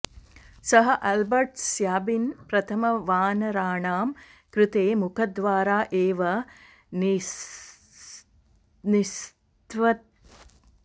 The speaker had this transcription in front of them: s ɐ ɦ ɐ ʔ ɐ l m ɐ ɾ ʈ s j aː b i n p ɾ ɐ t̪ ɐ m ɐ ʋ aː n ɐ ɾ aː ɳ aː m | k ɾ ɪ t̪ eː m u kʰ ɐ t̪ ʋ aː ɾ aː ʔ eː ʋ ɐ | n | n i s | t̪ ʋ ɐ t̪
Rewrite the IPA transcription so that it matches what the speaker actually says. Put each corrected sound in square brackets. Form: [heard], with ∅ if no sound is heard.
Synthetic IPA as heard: s ɐ ɦ ɐ ʔ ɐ l [b] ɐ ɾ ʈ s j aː b i n p ɾ ɐ [t̪ʰ] ɐ m ɐ ʋ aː n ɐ ɾ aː ɳ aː m | k ɾ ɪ t̪ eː m u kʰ ɐ [d̪] ʋ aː ɾ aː ʔ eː ʋ ɐ | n | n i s | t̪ ʋ ɐ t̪